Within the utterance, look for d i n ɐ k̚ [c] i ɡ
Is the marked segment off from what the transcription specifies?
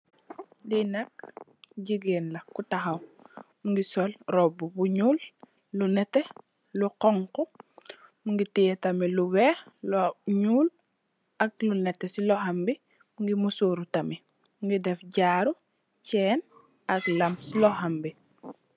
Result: yes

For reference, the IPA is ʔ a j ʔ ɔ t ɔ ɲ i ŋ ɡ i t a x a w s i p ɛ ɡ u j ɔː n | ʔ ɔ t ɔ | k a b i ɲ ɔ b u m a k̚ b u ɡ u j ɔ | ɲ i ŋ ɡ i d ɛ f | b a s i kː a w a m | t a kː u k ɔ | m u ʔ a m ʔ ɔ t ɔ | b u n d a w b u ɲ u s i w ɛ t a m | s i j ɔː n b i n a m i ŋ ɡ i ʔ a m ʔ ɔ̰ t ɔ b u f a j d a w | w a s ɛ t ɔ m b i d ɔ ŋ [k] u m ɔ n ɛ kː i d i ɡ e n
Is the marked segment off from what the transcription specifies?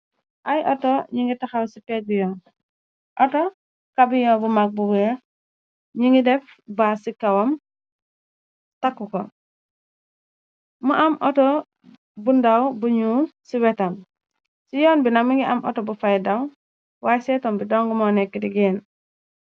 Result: yes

